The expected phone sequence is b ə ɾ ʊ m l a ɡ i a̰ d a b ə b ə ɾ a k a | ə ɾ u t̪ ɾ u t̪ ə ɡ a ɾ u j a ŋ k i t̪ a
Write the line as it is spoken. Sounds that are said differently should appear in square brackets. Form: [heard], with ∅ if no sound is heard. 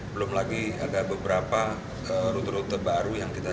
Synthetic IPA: b ə [l] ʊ m l a ɡ i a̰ d a b ə b ə ɾ a [p] a | ə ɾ u t̪ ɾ u t̪ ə [b] a ɾ u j a ŋ k i t̪ a